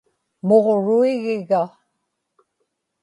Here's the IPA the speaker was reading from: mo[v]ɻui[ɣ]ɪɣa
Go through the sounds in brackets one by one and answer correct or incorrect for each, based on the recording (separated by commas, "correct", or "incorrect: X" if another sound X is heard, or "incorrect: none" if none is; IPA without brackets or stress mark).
incorrect: ʁ, correct